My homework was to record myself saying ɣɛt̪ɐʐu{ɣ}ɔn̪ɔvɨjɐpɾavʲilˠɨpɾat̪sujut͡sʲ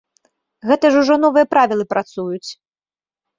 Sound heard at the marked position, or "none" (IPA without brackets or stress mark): ʐ